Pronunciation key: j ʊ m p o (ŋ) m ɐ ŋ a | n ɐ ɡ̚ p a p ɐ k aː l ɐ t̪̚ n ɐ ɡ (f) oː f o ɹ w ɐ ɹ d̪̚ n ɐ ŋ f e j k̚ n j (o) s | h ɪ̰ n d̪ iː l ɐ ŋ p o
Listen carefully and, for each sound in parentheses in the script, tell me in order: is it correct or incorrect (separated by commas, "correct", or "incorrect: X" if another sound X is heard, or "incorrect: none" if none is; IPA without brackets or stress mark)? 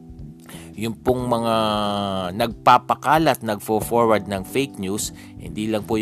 correct, correct, incorrect: u